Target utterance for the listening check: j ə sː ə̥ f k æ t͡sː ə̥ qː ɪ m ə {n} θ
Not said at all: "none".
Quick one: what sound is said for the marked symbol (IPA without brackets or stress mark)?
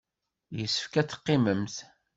m